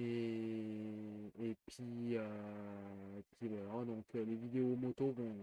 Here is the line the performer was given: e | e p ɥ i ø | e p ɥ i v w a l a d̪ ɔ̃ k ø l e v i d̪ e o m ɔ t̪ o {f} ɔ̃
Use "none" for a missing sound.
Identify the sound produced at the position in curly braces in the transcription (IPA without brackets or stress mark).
v